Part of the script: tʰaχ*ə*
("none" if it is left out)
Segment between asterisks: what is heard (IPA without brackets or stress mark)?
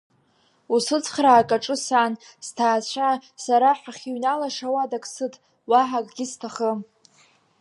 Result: ə